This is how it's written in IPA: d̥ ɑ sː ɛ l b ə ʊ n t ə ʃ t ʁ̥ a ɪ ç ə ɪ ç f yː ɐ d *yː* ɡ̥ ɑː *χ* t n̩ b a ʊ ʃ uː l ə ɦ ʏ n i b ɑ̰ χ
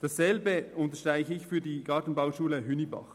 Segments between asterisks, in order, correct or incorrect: incorrect, incorrect

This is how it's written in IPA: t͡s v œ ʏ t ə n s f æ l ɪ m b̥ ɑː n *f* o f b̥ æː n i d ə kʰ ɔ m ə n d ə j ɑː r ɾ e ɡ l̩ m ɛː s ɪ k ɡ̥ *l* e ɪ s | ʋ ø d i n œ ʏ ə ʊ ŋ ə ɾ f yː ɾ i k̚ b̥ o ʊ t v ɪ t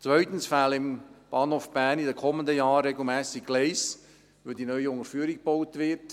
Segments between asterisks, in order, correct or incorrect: incorrect, correct

